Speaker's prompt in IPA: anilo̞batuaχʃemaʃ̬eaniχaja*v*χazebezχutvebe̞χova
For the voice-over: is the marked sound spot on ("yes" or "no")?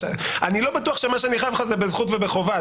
yes